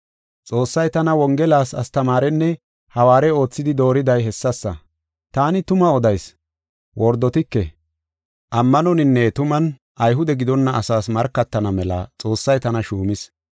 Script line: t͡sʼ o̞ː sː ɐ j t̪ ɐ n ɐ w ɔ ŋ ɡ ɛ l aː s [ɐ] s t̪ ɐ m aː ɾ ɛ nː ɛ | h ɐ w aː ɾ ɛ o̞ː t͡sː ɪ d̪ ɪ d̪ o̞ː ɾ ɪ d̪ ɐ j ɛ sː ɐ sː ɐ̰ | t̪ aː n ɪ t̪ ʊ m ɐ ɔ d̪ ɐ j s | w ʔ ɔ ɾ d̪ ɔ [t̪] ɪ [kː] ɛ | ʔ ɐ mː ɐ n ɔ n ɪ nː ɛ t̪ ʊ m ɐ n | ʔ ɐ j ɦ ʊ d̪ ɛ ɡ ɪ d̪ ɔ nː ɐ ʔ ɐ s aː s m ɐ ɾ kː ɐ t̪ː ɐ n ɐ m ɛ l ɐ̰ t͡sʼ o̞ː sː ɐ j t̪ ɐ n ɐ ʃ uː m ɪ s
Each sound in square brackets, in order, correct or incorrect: correct, correct, correct

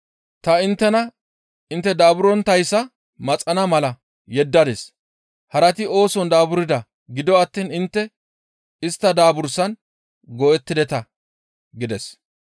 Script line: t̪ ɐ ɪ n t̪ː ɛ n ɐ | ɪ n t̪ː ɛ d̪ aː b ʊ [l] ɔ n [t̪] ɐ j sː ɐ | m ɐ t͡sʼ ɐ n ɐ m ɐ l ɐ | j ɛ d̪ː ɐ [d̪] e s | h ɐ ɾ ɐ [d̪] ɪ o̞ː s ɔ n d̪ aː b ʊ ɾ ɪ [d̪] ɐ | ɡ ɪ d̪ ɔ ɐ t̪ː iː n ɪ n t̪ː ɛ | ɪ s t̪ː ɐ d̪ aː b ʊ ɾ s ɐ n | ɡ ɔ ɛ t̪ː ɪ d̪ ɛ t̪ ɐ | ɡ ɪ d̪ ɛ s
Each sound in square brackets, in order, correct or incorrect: incorrect, correct, correct, incorrect, correct

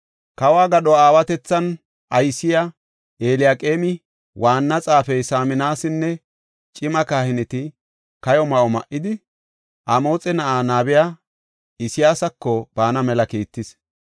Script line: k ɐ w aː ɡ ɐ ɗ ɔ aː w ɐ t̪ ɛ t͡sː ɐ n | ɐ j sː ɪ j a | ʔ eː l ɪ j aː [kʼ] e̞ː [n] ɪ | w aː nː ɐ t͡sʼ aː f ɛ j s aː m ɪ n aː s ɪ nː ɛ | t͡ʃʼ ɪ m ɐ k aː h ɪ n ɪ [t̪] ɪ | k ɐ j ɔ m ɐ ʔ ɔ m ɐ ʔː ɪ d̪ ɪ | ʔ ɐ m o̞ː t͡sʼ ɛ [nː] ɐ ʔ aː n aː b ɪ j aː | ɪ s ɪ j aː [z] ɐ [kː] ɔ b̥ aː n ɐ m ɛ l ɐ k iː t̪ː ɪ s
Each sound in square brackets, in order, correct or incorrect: correct, incorrect, correct, incorrect, incorrect, correct

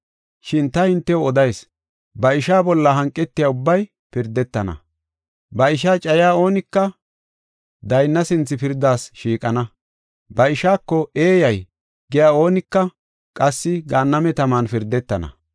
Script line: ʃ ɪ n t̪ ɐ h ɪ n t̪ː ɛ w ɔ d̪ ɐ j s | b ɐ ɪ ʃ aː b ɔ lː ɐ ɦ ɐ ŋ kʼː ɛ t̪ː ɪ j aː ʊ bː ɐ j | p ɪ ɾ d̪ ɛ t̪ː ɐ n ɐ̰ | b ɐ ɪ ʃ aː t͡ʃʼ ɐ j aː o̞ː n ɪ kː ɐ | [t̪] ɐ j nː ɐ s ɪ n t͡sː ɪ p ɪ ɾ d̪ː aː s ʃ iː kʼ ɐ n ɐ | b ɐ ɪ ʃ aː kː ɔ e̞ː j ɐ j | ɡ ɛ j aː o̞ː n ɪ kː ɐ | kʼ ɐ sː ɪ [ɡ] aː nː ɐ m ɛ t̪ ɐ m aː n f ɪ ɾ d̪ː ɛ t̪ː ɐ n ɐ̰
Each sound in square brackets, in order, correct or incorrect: incorrect, correct

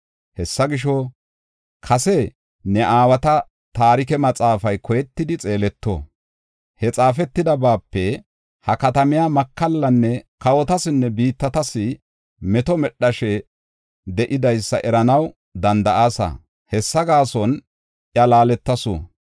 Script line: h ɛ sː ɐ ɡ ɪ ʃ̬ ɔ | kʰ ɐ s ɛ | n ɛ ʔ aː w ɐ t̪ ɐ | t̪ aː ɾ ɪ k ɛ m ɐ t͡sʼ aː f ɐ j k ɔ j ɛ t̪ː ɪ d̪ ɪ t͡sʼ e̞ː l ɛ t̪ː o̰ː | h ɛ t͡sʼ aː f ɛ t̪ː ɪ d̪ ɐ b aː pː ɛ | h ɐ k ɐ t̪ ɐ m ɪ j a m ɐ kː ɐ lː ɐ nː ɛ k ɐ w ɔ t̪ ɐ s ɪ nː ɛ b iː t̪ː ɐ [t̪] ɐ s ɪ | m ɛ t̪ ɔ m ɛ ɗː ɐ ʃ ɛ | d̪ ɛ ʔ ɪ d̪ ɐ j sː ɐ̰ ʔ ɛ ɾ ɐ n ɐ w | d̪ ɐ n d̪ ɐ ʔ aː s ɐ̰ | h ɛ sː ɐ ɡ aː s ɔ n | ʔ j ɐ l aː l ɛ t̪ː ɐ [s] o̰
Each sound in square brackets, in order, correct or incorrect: correct, correct

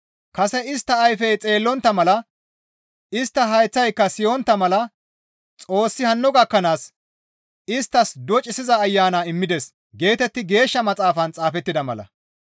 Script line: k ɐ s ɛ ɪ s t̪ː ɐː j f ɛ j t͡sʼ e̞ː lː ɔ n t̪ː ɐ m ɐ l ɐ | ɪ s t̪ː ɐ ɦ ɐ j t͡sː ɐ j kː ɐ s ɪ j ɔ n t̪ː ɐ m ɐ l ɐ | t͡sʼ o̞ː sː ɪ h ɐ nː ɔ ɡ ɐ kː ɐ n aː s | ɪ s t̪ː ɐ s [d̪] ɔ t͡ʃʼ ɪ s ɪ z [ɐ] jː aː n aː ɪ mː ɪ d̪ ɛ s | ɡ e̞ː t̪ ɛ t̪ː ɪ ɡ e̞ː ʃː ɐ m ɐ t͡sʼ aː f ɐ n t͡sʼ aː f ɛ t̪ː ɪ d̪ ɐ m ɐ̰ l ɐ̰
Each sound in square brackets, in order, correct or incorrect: correct, incorrect

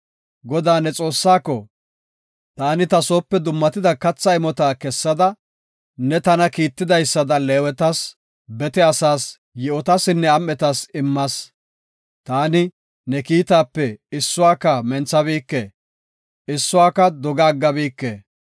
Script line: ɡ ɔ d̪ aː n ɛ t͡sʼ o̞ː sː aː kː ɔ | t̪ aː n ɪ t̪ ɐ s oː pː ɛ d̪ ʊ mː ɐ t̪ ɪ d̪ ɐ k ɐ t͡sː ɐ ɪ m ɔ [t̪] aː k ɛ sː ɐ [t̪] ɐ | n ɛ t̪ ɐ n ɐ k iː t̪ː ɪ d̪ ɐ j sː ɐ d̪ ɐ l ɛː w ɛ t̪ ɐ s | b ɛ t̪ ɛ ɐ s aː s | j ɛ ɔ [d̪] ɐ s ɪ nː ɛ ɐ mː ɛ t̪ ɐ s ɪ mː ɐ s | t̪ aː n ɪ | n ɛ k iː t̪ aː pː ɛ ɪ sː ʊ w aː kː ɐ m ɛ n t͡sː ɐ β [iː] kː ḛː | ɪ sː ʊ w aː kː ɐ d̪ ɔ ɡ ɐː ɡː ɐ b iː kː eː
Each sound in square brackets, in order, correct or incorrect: correct, incorrect, incorrect, correct

